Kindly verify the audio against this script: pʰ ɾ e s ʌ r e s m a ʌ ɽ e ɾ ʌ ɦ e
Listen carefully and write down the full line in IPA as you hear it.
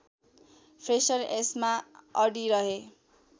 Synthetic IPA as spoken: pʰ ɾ e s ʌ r e s m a ʌ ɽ i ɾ ʌ ɦ e